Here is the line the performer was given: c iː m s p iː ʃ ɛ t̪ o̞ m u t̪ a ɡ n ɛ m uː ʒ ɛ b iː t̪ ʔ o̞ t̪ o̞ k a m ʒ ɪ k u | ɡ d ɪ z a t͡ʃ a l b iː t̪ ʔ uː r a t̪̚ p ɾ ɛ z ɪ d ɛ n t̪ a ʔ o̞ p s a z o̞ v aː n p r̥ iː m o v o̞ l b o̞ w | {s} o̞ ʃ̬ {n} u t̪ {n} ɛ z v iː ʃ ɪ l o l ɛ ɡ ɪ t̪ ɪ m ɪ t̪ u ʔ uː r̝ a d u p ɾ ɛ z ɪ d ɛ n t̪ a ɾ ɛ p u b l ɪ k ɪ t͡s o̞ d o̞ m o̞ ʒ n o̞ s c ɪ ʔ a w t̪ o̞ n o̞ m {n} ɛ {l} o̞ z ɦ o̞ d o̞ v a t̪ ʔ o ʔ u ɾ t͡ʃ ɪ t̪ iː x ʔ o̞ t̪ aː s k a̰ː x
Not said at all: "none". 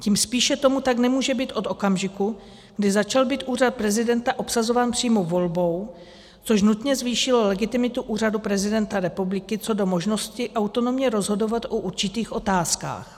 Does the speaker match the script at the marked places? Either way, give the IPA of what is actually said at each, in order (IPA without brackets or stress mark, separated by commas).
t͡s, n, ɲ, ɲ, ɾ